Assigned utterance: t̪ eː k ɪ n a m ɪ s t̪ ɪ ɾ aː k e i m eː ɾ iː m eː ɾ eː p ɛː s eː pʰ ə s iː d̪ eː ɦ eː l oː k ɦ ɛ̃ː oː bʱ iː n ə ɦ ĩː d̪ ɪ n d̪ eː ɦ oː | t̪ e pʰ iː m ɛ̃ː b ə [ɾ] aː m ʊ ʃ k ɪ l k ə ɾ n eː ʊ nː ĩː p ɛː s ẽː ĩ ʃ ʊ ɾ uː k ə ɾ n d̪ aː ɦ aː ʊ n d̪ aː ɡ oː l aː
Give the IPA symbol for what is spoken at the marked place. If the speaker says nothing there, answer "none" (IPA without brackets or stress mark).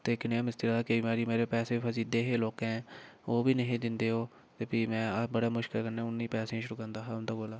ɽ